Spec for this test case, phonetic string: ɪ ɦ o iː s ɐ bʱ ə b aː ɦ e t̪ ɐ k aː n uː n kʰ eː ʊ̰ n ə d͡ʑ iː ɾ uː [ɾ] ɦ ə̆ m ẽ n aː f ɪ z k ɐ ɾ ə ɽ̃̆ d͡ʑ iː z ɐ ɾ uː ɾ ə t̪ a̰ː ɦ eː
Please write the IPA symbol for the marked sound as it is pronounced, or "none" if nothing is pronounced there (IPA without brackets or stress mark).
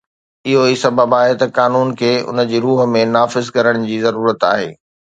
none